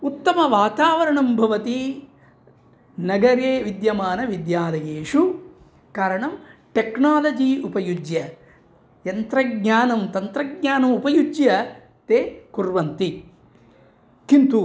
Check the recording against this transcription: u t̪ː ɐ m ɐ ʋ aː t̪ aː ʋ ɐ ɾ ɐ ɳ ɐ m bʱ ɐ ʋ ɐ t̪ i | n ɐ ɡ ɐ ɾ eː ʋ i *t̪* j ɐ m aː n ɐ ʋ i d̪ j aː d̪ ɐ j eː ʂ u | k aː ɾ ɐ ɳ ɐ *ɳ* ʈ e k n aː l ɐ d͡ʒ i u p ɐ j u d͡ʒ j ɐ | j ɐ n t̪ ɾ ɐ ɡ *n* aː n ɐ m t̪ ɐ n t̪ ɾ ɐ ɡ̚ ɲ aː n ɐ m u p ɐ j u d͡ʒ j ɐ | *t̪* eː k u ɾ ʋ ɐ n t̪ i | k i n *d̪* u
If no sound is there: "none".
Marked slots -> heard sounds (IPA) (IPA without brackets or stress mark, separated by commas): d̪, m, ɲ, t̪, t̪